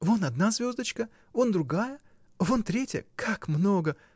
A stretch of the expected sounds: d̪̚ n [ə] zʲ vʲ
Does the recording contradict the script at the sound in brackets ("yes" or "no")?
yes